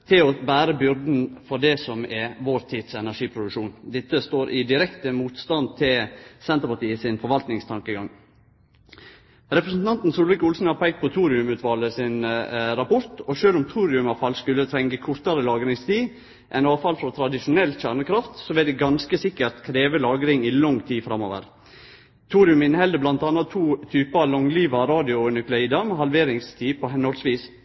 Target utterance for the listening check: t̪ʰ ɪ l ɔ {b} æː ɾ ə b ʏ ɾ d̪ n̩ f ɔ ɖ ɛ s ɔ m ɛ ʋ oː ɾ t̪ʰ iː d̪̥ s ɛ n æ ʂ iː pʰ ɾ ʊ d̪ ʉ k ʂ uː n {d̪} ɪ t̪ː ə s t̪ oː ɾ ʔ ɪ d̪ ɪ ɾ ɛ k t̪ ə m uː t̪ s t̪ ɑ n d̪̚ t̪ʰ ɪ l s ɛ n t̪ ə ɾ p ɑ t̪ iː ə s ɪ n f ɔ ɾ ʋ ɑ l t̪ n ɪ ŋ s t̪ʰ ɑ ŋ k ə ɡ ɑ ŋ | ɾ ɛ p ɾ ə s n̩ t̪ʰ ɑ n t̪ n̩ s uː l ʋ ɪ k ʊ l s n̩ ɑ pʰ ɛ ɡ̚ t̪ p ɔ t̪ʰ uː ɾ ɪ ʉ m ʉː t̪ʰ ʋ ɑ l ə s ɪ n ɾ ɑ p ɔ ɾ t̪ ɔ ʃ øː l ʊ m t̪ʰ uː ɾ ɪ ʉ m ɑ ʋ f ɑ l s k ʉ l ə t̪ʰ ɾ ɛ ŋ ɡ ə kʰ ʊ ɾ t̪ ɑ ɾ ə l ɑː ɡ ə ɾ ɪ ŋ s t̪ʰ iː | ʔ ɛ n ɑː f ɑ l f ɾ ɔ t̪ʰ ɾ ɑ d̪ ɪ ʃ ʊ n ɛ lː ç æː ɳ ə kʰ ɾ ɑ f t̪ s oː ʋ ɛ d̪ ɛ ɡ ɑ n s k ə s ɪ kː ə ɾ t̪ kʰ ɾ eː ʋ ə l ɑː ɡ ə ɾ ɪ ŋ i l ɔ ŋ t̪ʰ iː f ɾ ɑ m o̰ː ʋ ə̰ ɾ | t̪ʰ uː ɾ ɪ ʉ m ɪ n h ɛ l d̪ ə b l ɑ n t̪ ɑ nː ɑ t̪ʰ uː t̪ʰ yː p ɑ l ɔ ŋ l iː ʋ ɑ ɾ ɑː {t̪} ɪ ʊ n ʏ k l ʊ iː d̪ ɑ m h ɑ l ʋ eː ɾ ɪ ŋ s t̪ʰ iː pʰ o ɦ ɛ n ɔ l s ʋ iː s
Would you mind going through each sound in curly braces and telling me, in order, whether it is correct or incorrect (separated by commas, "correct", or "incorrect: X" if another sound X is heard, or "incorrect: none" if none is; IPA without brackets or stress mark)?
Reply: correct, correct, incorrect: d̪